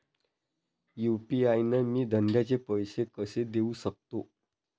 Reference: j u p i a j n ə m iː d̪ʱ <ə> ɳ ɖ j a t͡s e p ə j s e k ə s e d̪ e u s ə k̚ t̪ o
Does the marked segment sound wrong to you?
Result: no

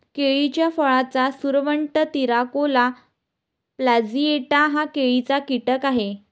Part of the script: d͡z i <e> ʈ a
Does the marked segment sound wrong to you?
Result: no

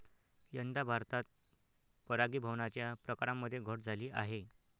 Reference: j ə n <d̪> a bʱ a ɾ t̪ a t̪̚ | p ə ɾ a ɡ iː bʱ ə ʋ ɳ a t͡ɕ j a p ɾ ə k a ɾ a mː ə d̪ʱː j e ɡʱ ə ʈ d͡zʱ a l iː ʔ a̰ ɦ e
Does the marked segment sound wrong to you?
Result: no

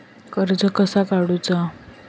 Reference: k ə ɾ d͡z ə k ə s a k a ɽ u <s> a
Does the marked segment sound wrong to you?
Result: yes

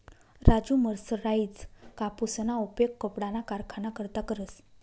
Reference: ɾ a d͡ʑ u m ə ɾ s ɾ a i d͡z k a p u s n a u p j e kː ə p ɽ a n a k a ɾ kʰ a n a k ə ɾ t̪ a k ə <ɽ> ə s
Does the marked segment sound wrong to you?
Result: yes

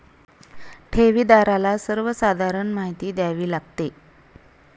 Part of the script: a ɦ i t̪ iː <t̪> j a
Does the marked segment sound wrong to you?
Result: yes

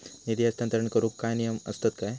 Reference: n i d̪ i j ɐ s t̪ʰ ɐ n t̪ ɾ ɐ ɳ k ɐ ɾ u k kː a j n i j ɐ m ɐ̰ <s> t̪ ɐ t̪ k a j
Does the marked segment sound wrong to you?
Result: no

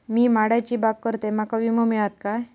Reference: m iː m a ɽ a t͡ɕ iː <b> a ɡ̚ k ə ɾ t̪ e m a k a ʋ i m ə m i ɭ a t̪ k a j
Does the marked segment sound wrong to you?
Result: no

